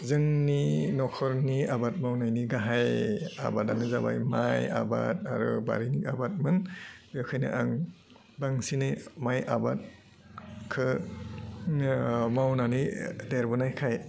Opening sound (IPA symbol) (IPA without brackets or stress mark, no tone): z